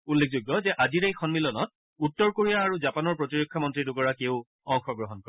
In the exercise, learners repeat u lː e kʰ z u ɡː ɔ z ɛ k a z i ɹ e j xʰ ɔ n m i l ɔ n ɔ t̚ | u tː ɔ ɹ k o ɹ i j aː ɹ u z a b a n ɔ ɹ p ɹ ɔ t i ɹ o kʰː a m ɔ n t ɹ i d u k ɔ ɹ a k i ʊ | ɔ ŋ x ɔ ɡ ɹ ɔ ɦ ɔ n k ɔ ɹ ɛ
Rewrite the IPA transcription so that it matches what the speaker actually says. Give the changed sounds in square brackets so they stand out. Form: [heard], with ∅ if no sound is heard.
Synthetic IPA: u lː e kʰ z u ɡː ɔ z ɛ [ʔ] a z i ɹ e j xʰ ɔ n m i l ɔ n ɔ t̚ | u tː ɔ ɹ k o ɹ i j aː ɹ u z a [p] a n ɔ ɹ p ɹ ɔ t i ɹ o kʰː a m ɔ n t ɹ i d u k ɔ ɹ a k [e] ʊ | ɔ ŋ x ɔ ɡ ɹ ɔ ɦ ɔ n k ɔ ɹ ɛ